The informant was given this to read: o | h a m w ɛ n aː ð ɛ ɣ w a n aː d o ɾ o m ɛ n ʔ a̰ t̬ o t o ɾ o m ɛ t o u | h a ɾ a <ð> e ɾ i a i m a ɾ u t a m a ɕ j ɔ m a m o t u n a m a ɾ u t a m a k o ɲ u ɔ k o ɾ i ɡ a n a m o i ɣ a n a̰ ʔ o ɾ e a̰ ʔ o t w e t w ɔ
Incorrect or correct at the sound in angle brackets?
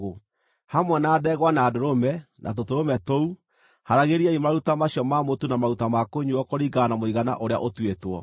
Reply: incorrect: ɣ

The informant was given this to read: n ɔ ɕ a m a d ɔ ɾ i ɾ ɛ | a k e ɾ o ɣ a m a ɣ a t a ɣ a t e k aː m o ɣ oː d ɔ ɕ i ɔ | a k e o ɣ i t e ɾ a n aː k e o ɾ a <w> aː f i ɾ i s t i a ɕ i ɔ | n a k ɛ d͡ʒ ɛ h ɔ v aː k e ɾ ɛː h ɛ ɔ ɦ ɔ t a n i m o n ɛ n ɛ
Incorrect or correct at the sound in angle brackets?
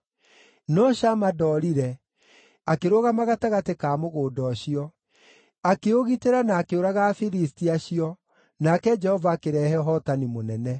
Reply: incorrect: ɣ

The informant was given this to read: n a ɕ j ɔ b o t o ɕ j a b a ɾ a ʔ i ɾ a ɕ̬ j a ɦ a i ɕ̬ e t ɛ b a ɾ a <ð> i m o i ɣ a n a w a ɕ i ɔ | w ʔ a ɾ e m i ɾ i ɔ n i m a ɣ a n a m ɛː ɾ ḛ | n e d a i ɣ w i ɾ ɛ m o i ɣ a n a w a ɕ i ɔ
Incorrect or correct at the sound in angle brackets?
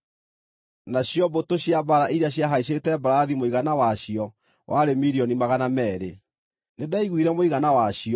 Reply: correct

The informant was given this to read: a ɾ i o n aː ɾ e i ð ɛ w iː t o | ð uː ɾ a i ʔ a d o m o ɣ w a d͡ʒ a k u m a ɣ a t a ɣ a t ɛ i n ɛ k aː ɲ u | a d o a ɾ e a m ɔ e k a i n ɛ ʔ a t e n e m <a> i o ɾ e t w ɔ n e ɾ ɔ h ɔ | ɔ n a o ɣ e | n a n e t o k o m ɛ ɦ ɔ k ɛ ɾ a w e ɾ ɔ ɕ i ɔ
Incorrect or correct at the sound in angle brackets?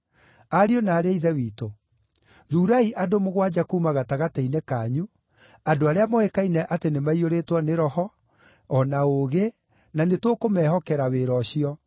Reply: correct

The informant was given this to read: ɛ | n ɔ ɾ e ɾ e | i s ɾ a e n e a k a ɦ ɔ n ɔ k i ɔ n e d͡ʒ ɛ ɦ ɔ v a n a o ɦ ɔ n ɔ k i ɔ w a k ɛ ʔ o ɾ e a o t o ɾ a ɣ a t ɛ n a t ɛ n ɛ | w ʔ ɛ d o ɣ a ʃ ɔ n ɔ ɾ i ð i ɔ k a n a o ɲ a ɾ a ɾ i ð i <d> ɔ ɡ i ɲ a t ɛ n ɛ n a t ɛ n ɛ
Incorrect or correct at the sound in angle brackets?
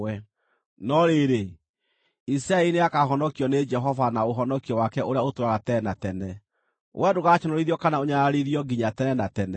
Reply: incorrect: none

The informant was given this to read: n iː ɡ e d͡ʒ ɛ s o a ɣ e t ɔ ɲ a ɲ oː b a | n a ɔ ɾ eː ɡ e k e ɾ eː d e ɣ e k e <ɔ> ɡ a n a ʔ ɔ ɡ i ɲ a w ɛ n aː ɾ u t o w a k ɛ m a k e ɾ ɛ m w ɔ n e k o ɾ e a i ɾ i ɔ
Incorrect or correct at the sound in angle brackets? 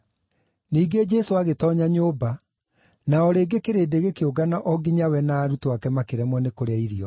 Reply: incorrect: o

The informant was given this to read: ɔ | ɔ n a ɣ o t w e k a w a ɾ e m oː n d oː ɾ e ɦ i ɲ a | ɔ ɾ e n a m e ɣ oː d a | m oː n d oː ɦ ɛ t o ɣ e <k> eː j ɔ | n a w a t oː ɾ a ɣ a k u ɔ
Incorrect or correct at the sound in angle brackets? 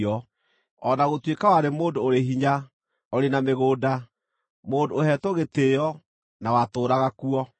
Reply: incorrect: t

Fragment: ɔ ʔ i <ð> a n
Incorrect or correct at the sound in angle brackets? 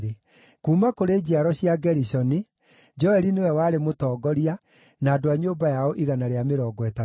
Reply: incorrect: ɣ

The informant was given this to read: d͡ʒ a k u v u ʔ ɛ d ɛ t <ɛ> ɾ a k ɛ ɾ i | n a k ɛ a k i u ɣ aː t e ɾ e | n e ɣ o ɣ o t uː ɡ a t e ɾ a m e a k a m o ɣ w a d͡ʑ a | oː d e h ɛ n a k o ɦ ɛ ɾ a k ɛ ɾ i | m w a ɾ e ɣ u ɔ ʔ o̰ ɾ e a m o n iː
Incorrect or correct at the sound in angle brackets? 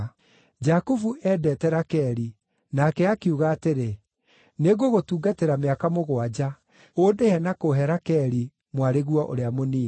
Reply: correct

